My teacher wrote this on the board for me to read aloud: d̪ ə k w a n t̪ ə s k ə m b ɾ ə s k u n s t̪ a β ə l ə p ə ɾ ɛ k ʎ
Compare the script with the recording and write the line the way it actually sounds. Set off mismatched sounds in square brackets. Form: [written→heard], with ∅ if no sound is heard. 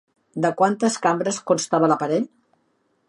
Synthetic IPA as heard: d̪ ə k w a n t̪ ə s k [ə→a] m b ɾ ə s k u n s t̪ a β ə l ə p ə ɾ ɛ [k→∅] ʎ